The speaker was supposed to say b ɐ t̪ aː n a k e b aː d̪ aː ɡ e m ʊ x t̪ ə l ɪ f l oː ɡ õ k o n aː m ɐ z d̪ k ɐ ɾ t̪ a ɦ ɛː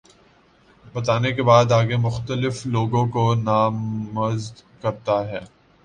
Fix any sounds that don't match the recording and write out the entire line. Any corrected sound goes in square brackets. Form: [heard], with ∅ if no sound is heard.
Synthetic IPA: b ɐ t̪ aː n [e] k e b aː d̪ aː ɡ e m ʊ x t̪ ə l ɪ f l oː ɡ õ k o n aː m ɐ z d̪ k ɐ ɾ t̪ a ɦ ɛː